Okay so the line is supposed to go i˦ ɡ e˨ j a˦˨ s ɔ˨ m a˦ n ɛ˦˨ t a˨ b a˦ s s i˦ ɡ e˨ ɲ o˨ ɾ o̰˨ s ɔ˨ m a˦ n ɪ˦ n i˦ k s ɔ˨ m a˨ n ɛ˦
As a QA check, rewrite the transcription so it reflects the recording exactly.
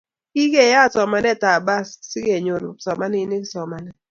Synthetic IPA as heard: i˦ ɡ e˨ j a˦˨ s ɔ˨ m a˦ n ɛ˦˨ t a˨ b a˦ s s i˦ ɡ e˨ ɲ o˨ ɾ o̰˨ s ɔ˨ m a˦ n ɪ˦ n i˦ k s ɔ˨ m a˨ n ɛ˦